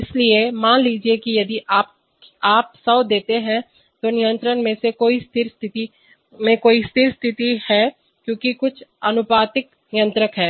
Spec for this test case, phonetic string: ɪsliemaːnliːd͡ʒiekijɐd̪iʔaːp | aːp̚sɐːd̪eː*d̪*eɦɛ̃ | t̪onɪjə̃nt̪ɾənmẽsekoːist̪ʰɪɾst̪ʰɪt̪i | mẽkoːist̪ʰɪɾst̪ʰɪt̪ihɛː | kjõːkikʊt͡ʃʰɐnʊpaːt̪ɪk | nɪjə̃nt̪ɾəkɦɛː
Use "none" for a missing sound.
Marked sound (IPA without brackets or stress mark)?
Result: t̪